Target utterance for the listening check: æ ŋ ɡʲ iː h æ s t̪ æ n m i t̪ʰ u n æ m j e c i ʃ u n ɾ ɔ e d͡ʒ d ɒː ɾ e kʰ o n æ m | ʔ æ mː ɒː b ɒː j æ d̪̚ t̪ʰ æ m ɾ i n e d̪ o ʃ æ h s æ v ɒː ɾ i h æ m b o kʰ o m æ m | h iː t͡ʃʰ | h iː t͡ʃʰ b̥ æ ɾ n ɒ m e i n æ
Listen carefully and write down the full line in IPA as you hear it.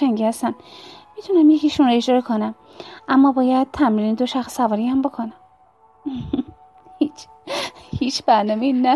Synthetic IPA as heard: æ ŋ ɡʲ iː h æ s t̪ æ n m i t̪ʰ u n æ m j e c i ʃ u n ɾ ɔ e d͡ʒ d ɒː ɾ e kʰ o n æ m | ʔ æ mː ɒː b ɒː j æ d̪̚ t̪ʰ æ m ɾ i n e d̪ o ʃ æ x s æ v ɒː ɾ i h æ m b o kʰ o n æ m | h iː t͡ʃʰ | h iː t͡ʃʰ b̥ æ ɾ n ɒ m e i n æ